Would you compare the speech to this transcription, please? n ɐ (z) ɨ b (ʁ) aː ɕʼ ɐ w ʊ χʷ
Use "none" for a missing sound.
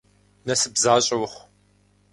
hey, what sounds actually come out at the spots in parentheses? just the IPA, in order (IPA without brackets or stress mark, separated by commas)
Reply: s, z